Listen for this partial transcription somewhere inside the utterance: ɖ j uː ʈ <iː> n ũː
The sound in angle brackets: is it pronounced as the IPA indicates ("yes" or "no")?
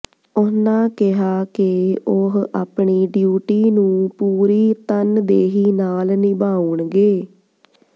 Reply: yes